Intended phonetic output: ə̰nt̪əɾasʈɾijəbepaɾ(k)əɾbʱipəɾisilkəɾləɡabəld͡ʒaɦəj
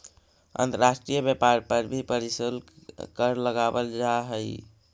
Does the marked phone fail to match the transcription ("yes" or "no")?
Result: yes